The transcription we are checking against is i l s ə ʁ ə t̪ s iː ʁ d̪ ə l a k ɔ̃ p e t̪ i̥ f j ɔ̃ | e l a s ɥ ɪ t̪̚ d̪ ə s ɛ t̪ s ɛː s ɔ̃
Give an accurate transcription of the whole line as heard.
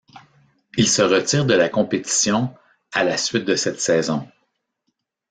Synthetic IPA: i l s ə ʁ ə t̪ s iː ʁ d̪ ə l a k ɔ̃ p e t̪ i̥ s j ɔ̃ | a l a s ɥ ɪ t̪̚ d̪ ə s ɛ t̪ s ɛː z ɔ̃

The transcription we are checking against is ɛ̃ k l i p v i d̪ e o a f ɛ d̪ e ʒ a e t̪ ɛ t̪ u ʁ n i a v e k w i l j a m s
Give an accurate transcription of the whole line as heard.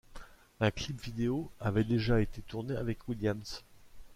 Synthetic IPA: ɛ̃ k l i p v i d̪ e o a v ɛ d̪ e ʒ a e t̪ e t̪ u ʁ n e a v ɛ k w i l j a m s

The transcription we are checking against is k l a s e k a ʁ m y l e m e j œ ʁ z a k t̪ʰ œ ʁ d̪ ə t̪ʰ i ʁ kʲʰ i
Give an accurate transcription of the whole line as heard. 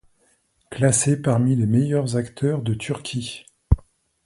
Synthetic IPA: k l a s e p a ʁ m i l e m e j œ ʁ z a k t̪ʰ œ ʁ d̪ ə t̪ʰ y ʁ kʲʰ i

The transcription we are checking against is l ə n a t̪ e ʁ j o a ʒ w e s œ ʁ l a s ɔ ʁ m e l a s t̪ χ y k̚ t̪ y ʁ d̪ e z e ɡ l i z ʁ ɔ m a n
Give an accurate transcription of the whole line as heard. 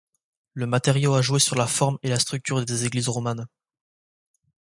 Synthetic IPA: l ə m a t̪ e ʁ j o a ʒ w e s y ʁ l a f ɔ ʁ m e l a s t̪ χ y k̚ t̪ y ʁ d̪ e z e ɡ l i z ʁ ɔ m a n

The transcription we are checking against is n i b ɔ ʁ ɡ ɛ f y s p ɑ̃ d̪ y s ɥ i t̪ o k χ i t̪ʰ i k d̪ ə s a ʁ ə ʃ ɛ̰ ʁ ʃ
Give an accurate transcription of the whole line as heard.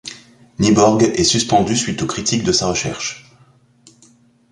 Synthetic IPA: n i b ɔ ʁ ɡ ɛ s y s p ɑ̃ d̪ y s ɥ i t̪ o k χ i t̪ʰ i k d̪ ə s a ʁ ə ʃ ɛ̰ ʁ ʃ

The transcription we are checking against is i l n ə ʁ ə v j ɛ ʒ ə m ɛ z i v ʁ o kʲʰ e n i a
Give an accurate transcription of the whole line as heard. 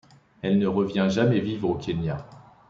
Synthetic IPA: ɛ l n ə ʁ ə v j ɛ̃ ʒ a m ɛ v i v ʁ o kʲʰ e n j a

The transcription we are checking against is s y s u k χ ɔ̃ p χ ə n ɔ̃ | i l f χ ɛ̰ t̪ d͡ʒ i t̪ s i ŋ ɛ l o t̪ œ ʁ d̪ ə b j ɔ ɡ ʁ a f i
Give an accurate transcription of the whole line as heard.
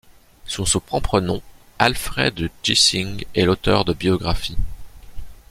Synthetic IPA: s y s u p χ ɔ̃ p χ ə n ɔ̃ | a l f χ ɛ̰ d̪ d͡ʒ i s i ŋ ɛ l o t̪ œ ʁ d̪ ə b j ɔ ɡ ʁ a f i

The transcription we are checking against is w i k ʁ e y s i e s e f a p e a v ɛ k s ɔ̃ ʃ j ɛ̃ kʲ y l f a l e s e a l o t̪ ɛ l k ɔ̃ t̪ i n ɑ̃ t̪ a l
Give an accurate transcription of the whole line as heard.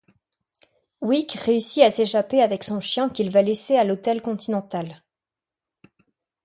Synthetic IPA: w i k ʁ e y s i a s e ʃ a p e a v ɛ k s ɔ̃ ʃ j ɛ̃ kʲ i l v a l e s e a l o t̪ ɛ l k ɔ̃ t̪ i n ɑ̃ t̪ a l

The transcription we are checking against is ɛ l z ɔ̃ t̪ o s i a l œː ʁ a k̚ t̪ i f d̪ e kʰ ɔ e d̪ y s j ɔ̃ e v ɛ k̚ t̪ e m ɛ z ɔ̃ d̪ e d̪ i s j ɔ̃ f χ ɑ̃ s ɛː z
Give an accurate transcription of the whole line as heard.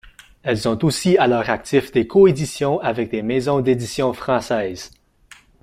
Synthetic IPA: ɛ l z ɔ̃ t̪ o s i a l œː ʁ a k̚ t̪ i f d̪ e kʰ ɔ e d̪ i s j ɔ̃ a v ɛ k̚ d̪ e m ɛ z ɔ̃ d̪ e d̪ i s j ɔ̃ f χ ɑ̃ s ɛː z

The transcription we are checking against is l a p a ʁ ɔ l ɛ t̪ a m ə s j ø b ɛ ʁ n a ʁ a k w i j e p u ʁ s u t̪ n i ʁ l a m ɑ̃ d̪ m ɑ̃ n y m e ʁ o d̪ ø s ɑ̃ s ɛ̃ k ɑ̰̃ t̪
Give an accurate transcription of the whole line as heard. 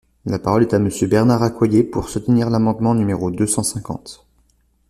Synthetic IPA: l a p a ʁ ɔ l ɛ t̪ a m ə s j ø b ɛ ʁ n a ʁ a k w a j e p u ʁ s u t̪ n i ʁ l a m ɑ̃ d̪ m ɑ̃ n y m e ʁ o d̪ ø s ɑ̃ s ɛ̃ k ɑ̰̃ t̪

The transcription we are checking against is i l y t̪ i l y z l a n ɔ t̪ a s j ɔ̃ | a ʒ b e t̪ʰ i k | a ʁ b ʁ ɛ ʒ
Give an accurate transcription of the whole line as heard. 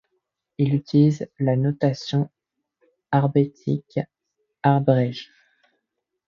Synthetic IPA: i l y t̪ i l i z l a n ɔ t̪ a s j ɔ̃ | a ʁ b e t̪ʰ i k | a ʁ b ʁ ɛ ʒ

